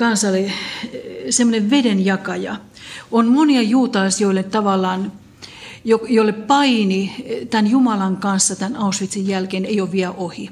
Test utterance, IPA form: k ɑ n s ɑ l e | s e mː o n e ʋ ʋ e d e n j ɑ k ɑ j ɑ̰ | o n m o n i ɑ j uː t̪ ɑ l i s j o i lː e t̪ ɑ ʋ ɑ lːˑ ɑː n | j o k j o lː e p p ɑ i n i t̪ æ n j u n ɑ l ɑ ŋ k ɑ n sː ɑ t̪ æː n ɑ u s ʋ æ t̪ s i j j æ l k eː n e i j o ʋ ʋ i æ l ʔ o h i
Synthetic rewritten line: k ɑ n s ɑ l e | s e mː o n e ʋ ʋ e d e n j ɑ k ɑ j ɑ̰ | o n m o n i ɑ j uː t̪ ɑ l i s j o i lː e t̪ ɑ ʋ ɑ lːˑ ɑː n | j o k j o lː e p p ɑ i n i t̪ æ n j u m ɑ l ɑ ŋ k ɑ n sː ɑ t̪ æ n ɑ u s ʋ i t̪ s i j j æ l k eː n e i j o ʋ ʋ i æ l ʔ o h i